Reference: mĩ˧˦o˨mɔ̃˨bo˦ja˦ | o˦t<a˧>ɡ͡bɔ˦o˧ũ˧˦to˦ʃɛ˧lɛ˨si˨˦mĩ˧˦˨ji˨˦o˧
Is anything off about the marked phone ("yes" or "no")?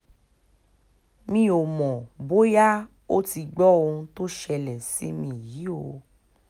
yes